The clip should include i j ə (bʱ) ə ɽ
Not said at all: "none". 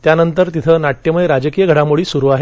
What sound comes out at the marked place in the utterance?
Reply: ɡʱ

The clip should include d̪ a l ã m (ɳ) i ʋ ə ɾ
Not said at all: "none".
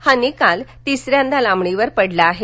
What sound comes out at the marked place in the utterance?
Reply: ɳ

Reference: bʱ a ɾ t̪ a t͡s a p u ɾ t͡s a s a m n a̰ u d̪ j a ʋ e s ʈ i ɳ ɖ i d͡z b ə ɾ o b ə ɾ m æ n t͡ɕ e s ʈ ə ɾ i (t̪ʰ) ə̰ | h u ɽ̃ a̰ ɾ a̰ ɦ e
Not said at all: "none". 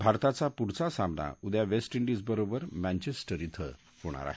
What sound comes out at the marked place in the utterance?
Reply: t̪ʰ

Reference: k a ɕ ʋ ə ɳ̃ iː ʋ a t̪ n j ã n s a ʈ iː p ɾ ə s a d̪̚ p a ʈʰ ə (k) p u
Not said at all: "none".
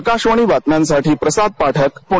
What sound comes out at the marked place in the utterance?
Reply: k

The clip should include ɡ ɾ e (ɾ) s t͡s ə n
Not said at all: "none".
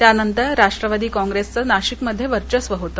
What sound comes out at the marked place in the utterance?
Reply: none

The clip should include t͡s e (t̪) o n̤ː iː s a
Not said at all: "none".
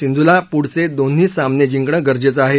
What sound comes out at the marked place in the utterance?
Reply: d̪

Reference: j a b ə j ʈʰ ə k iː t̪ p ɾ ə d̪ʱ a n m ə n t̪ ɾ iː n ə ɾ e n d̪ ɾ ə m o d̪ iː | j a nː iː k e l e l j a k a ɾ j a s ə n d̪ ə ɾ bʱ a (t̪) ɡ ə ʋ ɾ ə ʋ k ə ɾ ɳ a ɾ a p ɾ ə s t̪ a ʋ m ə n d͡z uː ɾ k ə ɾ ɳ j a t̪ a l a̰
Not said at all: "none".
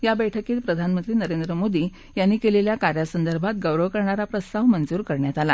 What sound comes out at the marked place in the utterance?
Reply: t̪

